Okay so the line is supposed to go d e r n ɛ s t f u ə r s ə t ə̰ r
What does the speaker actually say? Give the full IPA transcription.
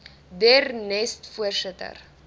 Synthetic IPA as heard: d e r n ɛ s t f u ə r s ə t ə̰ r